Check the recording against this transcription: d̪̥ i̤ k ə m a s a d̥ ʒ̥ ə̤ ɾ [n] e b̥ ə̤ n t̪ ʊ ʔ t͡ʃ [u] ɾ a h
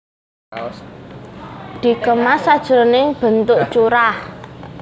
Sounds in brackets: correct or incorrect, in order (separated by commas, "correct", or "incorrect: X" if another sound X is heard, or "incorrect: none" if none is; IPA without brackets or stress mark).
correct, correct